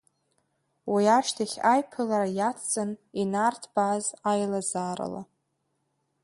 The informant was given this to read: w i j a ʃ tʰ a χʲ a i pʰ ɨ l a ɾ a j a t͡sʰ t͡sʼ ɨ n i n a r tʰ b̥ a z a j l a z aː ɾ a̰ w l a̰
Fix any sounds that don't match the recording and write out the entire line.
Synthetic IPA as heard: w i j a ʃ tʰ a χʲ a j pʰ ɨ l a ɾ a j a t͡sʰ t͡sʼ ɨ n i n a r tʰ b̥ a z a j l a z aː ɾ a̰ l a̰